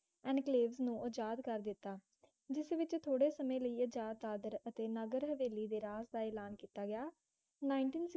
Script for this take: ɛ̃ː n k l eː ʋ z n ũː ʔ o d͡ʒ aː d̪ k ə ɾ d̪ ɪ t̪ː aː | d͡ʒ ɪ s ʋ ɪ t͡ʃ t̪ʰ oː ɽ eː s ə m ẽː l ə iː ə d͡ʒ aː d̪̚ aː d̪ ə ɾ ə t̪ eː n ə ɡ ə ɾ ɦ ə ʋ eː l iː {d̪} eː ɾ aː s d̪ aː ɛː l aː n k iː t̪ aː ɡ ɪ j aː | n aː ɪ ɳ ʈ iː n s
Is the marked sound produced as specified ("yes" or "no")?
yes